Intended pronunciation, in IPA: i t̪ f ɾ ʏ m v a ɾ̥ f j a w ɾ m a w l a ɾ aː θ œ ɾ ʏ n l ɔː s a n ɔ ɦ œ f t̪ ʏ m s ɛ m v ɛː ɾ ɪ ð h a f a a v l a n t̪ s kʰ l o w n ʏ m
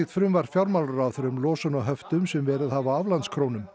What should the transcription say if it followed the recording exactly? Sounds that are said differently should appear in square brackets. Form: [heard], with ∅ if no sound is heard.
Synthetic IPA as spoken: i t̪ f ɾ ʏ m v a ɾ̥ f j a w ɾ m a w l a ɾ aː θ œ ɾ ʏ [m] l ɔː s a n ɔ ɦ œ f t̪ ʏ m s ɛ m v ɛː ɾ ɪ ð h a [v] a a v l a n t̪ s kʰ [ɾ] o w n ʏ m